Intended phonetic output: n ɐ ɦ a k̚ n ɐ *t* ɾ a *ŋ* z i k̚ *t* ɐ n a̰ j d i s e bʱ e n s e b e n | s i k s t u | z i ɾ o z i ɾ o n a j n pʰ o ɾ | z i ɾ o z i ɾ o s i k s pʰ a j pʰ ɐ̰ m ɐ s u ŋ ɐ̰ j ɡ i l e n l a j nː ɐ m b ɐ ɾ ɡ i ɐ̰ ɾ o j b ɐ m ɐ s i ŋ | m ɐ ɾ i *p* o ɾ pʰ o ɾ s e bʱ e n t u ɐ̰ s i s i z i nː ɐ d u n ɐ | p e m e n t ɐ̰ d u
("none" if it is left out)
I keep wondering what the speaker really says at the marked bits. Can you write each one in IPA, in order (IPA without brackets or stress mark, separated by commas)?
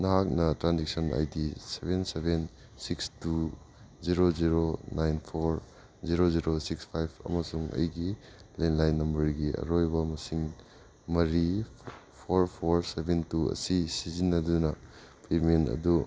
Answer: t, n, s, pʰ